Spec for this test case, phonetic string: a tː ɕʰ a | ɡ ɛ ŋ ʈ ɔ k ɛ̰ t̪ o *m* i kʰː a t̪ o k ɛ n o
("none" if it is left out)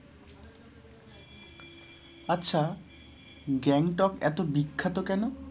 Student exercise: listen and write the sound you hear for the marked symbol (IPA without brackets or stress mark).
b